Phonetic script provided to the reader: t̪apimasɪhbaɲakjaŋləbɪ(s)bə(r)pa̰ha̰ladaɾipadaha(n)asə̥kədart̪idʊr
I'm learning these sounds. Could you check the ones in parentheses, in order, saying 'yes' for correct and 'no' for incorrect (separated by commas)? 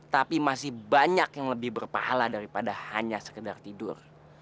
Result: no, yes, no